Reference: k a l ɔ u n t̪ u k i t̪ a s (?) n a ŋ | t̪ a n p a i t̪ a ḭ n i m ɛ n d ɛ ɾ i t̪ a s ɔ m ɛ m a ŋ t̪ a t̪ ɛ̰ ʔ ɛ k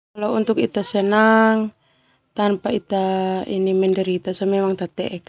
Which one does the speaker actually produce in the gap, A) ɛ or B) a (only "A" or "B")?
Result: A